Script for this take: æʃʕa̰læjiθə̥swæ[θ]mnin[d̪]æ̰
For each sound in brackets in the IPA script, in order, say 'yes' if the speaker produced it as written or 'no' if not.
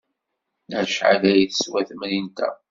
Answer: yes, no

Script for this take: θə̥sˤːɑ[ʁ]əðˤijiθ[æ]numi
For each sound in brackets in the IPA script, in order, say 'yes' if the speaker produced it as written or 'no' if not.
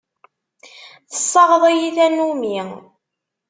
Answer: yes, yes

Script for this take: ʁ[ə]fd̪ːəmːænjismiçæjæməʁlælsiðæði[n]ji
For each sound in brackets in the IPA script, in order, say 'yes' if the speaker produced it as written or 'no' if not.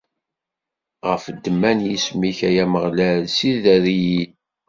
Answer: yes, no

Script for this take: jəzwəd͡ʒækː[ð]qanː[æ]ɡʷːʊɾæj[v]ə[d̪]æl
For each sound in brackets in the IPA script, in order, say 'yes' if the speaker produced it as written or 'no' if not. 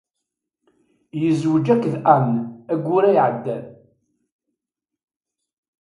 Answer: yes, yes, no, no

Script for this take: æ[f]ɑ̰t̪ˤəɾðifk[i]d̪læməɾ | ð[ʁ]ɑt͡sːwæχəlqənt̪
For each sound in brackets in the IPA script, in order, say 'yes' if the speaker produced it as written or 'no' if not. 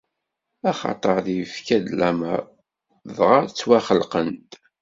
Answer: no, no, yes

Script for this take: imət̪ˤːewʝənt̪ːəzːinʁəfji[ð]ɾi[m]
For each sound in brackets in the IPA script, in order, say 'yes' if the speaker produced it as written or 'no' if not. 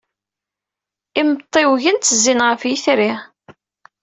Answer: no, no

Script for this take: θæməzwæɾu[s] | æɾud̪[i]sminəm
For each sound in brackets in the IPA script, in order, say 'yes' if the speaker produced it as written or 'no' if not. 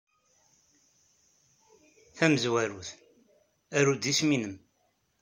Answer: no, yes

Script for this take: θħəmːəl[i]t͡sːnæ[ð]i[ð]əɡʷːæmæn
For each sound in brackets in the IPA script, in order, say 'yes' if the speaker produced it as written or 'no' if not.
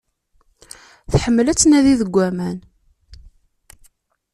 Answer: no, yes, yes

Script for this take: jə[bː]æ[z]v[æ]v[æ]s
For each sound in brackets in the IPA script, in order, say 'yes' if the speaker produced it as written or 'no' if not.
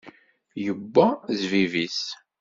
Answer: yes, yes, no, no

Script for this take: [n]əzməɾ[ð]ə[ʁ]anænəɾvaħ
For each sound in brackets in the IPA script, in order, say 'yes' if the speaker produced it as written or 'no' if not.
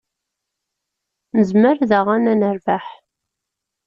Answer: yes, yes, yes

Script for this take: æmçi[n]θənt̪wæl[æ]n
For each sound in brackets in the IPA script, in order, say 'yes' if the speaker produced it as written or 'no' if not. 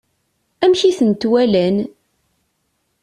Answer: no, yes

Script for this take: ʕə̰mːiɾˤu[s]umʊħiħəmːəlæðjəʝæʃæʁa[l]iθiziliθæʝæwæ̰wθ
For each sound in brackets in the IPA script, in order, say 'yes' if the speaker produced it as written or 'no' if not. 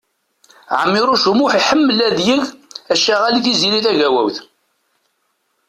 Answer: no, yes

